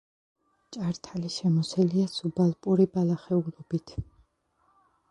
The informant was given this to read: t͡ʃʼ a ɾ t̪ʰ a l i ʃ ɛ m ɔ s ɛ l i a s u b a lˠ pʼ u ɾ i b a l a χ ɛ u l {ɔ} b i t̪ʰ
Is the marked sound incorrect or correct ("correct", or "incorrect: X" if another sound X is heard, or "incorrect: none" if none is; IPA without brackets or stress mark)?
correct